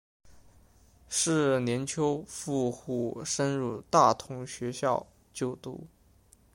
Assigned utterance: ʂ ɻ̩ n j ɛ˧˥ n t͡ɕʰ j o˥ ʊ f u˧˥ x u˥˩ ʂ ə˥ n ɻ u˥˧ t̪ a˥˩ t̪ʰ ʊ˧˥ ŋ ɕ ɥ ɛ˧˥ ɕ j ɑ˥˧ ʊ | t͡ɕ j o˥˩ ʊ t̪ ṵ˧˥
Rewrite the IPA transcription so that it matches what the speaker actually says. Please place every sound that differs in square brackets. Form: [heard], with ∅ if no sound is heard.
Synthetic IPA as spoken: ʂ ɻ̩ n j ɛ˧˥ n t͡ɕʰ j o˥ ʊ f [u˥˧] x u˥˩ ʂ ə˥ n ɻ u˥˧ t̪ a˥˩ t̪ʰ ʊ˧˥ ŋ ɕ ɥ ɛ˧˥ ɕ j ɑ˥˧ ʊ | t͡ɕ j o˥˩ ʊ t̪ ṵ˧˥